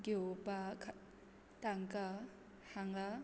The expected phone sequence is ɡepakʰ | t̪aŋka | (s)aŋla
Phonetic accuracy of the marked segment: incorrect: h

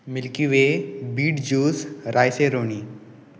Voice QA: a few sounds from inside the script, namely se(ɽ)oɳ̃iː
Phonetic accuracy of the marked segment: incorrect: ɾ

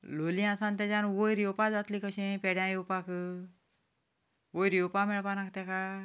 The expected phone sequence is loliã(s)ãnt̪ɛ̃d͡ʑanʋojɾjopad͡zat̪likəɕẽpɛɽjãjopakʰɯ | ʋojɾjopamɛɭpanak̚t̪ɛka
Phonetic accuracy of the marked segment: correct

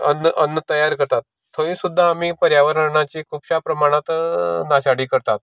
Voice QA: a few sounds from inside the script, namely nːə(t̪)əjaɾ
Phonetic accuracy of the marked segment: correct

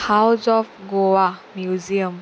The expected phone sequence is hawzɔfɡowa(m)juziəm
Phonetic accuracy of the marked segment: correct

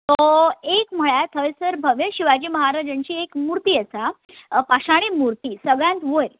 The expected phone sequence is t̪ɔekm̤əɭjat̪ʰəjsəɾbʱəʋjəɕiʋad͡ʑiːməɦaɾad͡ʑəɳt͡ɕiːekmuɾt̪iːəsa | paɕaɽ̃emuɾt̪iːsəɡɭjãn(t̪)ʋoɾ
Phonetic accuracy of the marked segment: correct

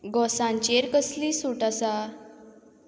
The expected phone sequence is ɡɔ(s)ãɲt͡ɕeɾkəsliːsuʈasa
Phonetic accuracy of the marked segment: correct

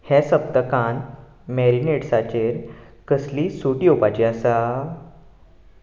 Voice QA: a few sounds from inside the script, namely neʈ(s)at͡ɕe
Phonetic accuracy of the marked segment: correct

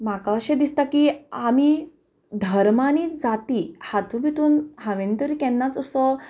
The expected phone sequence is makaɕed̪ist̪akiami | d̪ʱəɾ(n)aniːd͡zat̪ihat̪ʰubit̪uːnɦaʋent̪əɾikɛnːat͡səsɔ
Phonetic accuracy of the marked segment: incorrect: m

